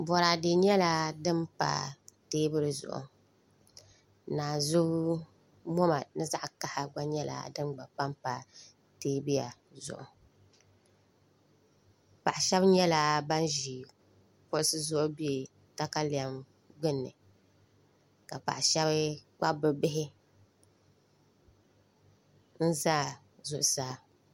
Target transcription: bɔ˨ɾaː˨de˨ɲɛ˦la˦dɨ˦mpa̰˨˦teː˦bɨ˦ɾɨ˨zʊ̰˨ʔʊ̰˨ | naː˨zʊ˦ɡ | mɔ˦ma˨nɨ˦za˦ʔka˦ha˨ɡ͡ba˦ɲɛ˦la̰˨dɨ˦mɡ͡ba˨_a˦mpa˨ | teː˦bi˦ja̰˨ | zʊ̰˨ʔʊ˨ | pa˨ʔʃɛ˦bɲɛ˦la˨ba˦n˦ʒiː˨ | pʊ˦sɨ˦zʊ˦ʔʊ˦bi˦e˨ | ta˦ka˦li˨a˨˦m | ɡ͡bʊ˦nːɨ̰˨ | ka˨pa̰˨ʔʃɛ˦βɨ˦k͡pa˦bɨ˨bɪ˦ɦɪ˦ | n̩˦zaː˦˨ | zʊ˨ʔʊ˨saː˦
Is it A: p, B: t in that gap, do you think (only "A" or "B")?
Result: A